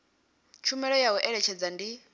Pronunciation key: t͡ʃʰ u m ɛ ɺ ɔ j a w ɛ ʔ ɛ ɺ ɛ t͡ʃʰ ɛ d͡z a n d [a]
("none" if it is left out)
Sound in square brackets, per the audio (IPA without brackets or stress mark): i